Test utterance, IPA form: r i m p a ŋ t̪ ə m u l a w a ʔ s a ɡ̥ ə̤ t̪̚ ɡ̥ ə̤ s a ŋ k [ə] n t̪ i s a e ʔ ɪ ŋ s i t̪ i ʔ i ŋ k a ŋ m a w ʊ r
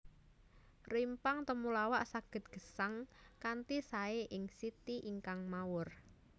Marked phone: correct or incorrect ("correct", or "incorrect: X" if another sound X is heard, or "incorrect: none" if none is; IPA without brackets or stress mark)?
incorrect: a